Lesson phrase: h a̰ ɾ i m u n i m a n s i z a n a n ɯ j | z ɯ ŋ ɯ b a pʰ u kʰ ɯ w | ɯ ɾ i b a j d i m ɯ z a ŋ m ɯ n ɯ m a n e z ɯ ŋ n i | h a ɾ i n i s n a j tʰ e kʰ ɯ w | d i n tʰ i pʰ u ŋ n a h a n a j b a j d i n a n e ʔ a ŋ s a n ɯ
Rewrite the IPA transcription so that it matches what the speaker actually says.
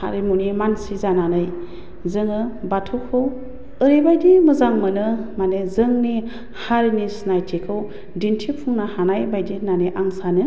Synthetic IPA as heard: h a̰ ɾ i m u n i m a n s i z a n a n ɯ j | z ɯ ŋ ɯ b a tʰ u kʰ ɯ w | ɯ ɾ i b a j d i m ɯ z a ŋ m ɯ n ɯ m a n e z ɯ ŋ n i | h a ɾ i n i s n a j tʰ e kʰ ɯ w | d i n tʰ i pʰ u ŋ n a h a n a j b a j d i n a n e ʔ a ŋ s a n ɯ